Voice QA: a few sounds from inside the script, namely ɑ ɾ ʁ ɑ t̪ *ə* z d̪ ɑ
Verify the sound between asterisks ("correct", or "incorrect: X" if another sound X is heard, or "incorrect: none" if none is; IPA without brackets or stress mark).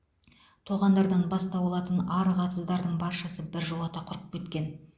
correct